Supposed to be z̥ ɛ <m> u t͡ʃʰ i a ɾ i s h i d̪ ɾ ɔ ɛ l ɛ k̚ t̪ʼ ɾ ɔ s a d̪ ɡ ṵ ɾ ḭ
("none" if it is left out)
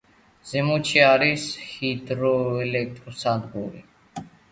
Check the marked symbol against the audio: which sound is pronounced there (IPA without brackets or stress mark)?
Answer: m